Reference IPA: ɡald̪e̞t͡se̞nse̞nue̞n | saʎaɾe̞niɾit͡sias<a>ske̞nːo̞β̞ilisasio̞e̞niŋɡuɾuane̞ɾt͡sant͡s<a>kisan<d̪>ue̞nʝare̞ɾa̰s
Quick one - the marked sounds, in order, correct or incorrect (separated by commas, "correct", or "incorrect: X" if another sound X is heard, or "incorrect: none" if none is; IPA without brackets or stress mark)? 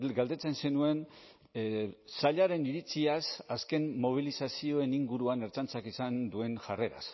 correct, correct, correct